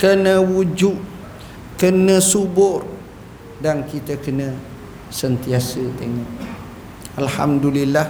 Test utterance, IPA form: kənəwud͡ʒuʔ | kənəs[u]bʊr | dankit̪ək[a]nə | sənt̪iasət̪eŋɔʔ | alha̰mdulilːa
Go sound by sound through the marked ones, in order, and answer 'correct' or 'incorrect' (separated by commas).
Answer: correct, incorrect